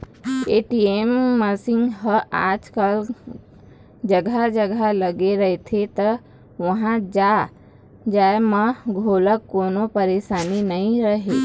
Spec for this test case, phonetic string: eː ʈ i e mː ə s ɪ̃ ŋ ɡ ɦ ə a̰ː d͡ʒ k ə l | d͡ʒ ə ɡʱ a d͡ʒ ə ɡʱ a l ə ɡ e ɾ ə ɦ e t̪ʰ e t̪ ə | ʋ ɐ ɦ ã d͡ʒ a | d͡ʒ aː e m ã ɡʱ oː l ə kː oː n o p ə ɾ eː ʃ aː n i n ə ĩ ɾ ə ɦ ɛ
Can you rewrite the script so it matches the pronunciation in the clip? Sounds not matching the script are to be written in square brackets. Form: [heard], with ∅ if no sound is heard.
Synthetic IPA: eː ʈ i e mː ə s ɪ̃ ŋ ɡ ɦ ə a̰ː d͡ʒ k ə l | d͡ʒ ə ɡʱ a d͡ʒ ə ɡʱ a l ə ɡ e ɾ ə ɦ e t̪ʰ e t̪ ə | ʋ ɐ ɦ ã d͡ʒ a | d͡ʒ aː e m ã ɡʱ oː l ə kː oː n o p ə ɾ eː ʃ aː n i n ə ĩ ɾ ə ɦ [e]